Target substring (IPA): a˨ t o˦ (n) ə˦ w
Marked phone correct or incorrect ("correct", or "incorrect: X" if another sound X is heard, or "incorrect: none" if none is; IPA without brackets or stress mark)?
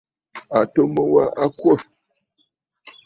incorrect: m